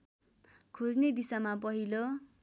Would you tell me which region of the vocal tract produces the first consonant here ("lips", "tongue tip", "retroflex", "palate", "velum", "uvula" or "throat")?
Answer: velum